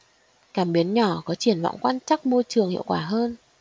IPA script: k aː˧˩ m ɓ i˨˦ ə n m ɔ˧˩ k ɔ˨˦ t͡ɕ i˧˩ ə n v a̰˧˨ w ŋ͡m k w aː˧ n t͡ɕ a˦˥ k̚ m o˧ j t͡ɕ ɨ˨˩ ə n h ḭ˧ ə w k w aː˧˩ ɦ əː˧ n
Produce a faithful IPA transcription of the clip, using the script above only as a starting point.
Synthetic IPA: k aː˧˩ m ɓ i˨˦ ə n ɲ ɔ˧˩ k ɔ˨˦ t͡ɕ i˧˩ ə n v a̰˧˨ w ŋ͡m k w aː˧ n t͡ɕ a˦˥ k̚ m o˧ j t͡ɕ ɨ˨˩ ə ŋ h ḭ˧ ə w k w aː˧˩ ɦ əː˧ n